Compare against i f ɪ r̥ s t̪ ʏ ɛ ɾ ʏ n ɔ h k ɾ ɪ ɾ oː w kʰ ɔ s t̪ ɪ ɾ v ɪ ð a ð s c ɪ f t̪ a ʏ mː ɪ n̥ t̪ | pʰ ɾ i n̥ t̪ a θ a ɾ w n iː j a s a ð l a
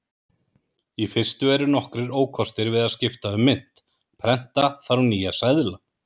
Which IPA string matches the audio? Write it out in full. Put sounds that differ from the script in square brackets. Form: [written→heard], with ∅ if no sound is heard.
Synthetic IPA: i f ɪ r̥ s t̪ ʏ ɛ ɾ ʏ n ɔ h k ɾ ɪ ɾ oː w kʰ ɔ s t̪ ɪ ɾ v ɪ ð a ð s c ɪ f t̪ a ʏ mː ɪ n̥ t̪ | pʰ ɾ [i→ɛ] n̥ t̪ a θ a ɾ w n iː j a s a ð l a

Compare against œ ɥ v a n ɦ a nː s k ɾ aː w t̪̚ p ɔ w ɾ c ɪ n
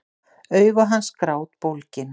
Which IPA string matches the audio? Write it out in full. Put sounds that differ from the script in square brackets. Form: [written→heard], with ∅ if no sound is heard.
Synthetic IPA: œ ɥ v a [n→∅] ɦ a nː s k ɾ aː w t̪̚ p [ɔ→o] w [ɾ→l] c ɪ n

